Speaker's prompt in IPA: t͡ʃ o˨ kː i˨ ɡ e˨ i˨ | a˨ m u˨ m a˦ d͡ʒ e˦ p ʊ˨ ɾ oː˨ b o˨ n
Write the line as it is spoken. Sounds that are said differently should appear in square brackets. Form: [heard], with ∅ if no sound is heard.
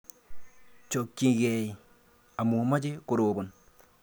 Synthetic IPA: t͡ʃ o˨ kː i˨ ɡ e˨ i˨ | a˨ m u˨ m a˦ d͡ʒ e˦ [k] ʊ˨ ɾ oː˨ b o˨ n